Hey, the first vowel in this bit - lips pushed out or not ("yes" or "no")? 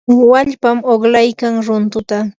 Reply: no